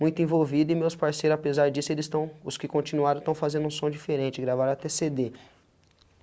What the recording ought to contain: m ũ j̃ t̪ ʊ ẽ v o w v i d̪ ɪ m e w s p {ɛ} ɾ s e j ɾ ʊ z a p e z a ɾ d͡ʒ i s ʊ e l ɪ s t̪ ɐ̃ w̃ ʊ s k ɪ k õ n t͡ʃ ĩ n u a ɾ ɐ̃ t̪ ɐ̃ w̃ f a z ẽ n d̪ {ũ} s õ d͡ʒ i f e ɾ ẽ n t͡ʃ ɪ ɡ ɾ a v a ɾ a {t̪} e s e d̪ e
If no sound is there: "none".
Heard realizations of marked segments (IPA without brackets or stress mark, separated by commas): a, ũ, t̪